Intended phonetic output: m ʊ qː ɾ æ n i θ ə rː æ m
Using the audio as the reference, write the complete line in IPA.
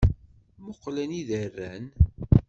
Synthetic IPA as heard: m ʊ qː l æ n i ð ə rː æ n